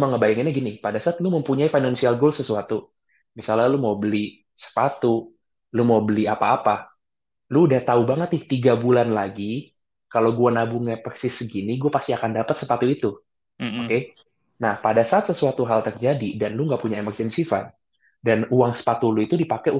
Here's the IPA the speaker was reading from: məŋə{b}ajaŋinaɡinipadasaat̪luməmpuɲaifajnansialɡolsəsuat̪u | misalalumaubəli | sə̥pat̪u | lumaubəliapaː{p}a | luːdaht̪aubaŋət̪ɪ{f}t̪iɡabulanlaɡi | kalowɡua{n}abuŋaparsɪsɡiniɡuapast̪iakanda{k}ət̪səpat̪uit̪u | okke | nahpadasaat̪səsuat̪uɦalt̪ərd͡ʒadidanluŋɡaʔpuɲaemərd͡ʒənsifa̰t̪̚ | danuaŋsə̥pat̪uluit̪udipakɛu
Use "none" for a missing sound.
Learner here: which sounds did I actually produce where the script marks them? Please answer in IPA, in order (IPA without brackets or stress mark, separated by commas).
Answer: b, p, h, n, p